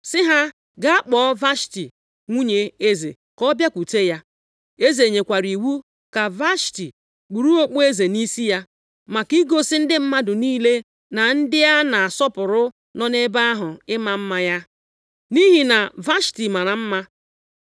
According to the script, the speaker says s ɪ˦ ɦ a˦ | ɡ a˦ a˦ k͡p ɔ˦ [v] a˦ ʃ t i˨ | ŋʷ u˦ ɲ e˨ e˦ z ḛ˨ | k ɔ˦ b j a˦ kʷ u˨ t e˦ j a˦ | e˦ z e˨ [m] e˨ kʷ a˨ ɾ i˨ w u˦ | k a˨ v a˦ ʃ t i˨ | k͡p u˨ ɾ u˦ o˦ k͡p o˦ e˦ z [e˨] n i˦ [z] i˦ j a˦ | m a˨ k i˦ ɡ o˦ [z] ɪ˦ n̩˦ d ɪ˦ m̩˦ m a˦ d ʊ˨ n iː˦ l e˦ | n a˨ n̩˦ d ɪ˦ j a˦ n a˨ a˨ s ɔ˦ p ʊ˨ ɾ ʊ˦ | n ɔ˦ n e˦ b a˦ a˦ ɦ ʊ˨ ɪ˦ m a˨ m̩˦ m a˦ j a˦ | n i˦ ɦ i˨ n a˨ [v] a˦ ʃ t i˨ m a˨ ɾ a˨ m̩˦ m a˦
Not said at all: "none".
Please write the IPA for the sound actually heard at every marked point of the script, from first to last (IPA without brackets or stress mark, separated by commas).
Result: v, ɲ, e˨, s, s, v